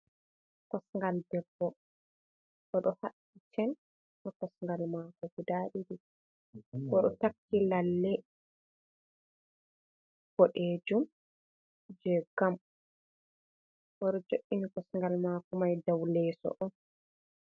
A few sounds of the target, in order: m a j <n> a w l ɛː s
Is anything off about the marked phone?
yes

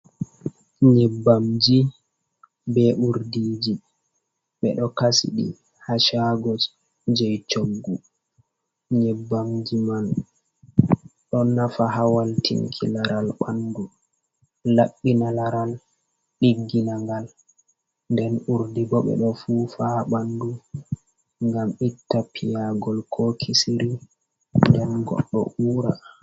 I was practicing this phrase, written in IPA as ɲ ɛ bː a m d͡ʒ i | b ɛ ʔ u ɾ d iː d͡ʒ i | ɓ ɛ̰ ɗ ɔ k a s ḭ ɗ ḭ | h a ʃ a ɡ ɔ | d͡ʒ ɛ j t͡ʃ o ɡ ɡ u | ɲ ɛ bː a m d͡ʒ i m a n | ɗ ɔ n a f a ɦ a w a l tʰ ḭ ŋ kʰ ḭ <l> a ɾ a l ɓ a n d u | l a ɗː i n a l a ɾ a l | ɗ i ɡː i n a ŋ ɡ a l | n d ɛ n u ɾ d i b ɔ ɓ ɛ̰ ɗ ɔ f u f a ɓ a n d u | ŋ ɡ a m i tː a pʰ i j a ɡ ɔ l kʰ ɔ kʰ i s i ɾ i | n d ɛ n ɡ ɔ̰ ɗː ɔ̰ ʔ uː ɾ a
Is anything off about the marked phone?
no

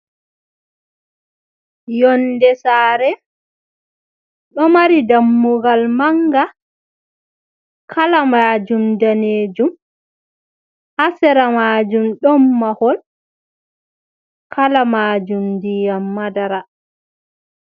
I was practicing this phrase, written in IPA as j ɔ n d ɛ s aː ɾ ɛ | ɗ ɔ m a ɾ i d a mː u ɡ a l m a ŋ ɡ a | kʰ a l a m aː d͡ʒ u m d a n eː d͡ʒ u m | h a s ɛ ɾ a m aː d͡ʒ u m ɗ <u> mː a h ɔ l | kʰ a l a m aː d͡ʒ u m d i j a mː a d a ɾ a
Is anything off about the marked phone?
yes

